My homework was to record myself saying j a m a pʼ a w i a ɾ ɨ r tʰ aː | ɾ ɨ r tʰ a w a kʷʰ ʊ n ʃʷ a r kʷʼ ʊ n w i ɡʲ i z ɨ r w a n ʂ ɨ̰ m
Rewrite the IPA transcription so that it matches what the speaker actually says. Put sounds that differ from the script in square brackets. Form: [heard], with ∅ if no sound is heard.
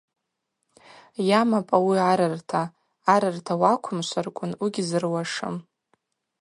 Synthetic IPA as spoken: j a m a pʼ a w i a ɾ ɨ r tʰ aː | ɾ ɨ r tʰ a w a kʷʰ ʊ [m] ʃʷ a r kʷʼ ʊ n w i ɡʲ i z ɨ r w a [∅] ʂ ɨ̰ m